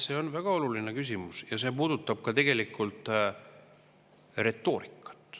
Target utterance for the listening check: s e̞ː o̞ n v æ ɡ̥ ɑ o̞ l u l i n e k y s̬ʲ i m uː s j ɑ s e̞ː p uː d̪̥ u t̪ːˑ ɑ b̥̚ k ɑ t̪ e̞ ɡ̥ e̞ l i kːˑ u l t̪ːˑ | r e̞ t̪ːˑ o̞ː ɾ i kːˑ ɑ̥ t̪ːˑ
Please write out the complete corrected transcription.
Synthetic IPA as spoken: s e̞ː o̞ n v æ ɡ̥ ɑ o̞ l u l i n e k y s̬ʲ i m u s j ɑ s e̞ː p uː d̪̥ u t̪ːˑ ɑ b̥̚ k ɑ t̪ e̞ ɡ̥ e̞ l i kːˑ u l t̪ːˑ | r e̞ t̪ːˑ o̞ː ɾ i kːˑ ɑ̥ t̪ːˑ

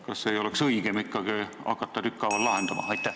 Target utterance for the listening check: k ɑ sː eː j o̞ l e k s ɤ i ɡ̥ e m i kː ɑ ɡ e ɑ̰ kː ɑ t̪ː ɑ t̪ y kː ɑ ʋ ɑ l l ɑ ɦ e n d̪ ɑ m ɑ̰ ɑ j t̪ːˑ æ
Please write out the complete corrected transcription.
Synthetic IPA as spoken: k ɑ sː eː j o̞ l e k s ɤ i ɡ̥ e m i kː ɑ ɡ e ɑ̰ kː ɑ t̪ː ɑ t̪ y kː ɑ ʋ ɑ l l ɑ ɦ e n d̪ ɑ m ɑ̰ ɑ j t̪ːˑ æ

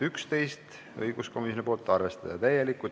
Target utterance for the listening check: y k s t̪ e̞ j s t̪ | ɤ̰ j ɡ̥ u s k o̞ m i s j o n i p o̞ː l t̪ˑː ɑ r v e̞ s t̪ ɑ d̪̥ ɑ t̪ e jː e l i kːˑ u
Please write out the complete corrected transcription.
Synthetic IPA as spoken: y k s t̪ e̞ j s t̪ | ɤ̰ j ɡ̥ u s k o̞ m i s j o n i p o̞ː l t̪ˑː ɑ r v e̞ s t̪ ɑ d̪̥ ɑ t̪ æ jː e l i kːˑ u

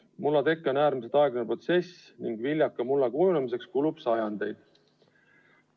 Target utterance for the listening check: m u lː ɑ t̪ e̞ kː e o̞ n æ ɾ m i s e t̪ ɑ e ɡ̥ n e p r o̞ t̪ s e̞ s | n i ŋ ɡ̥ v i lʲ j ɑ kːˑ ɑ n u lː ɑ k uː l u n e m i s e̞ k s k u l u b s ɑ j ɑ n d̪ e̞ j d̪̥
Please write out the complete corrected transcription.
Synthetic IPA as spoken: m u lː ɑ t̪ e̞ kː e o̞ n æː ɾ m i s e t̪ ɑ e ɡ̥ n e p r o̞ t̪ s e̞ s | n i ŋ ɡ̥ v i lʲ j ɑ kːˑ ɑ m u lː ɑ k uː l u n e m i s e̞ k s k u l u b s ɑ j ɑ n d̪ e̞ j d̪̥

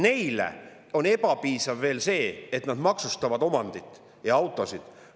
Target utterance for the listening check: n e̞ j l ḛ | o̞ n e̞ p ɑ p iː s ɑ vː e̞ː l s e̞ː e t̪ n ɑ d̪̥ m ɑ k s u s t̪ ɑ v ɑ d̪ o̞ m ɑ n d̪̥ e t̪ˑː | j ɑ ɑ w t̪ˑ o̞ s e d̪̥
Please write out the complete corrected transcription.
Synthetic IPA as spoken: n e̞ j l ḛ | o̞ n e̞ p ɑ p iː s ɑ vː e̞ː l s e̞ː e t̪ n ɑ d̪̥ m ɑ k s u s t̪ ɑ v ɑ d̪ o̞ m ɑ n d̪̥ i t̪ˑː | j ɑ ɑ w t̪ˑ o̞ s i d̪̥

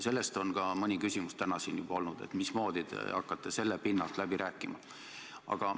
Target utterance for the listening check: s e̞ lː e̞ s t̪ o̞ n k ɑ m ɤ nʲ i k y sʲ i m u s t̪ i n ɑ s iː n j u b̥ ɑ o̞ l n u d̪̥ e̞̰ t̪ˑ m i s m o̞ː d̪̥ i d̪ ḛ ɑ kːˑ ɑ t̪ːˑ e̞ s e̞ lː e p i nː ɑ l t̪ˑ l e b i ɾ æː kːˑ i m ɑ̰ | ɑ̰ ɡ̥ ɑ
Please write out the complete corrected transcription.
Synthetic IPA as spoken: s e̞ lː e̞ s t̪ o̞ n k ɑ m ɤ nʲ i k y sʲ i m u s t̪ æ n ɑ s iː n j u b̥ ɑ o̞ l n u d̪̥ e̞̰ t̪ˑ m i s m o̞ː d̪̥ i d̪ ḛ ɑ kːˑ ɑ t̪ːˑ e̞ s e̞ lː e p i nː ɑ l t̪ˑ l æ b i ɾ æː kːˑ i m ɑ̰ | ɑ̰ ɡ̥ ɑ

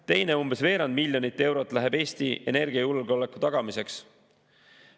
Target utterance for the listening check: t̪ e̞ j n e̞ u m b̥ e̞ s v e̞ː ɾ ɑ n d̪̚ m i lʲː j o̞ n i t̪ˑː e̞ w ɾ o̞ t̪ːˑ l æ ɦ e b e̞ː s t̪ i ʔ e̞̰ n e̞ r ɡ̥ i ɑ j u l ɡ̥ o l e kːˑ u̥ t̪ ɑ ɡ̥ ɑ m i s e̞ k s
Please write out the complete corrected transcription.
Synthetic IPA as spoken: t̪ e̞ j n e̞ u m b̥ e̞ s v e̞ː ɾ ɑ n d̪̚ m i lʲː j o̞ n i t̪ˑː e̞ w ɾ o̞ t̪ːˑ l æ ɦ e b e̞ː s t̪ i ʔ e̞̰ n e̞ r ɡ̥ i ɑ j u l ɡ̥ o l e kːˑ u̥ t̪ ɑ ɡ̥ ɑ m i s e̞ k s

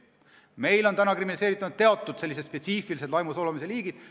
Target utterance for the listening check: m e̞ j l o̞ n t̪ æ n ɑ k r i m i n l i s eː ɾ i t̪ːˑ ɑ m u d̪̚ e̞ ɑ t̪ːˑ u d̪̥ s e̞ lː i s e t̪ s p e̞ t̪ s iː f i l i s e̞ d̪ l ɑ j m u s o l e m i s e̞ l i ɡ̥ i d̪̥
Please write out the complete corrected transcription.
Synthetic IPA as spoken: m e̞ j l o̞ n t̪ æ n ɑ k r i m i n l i s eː ɾ i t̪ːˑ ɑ n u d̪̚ e̞ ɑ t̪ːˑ u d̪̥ s e̞ lː i s e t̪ s p e̞ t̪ s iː f i l i s e̞ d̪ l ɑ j m u s o l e m i s e̞ l iː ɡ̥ i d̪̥

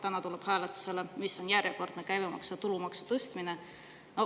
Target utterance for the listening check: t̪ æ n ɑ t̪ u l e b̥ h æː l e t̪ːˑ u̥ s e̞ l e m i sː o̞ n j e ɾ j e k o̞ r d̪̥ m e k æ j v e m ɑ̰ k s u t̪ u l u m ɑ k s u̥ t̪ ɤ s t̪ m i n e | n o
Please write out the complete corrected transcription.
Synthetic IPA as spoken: t̪ æ n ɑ t̪ u l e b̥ h æː l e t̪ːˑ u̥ s e̞ l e m i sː o̞ n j æ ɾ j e k o̞ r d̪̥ n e k æ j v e m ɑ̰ k s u t̪ u l u m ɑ k s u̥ t̪ ɤ s t̪ m i n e | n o

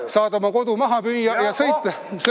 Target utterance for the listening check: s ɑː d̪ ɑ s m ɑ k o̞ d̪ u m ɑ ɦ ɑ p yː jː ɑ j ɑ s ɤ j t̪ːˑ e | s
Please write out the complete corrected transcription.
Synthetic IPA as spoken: s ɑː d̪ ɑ m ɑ k o̞ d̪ u m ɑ ɦ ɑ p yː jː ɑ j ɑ s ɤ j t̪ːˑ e | s

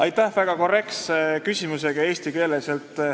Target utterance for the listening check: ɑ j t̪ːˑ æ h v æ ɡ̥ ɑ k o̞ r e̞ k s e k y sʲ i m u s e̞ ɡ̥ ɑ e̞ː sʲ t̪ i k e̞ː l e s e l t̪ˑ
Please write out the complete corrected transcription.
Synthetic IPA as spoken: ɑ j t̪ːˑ æ h v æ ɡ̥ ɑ k o̞ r e̞ k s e k y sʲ i m u s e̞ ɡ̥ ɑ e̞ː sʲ t̪ i k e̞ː l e s e l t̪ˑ

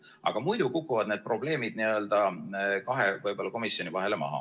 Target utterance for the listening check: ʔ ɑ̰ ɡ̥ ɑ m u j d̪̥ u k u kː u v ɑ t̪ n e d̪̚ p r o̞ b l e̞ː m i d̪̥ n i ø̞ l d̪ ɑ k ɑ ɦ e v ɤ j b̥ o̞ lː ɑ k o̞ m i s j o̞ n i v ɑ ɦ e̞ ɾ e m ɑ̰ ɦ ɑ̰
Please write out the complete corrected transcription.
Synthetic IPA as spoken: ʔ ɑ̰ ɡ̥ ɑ m u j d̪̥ u k u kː u v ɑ d̪ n e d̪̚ p r o̞ b l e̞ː m i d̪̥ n i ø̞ l d̪ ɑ k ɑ ɦ e v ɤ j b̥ o̞ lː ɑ k o̞ m i s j o̞ n i v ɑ ɦ e̞ l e m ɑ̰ ɦ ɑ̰

